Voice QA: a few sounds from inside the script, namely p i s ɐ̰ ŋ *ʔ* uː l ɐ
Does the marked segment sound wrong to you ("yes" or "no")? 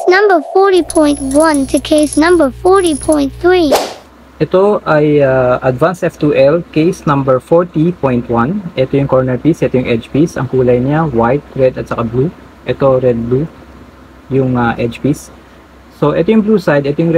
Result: yes